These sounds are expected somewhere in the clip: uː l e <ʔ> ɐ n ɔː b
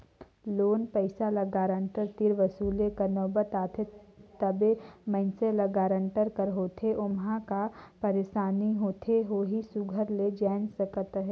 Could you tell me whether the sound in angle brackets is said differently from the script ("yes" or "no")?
yes